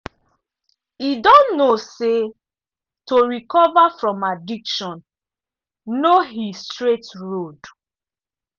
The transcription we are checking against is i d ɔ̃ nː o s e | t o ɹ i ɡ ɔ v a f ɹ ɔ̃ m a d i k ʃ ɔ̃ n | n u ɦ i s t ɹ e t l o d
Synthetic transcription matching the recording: i d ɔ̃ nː o s e | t o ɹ i k ɔ v a f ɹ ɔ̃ m a d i k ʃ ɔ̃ n | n o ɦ i s t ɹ e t ɹ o d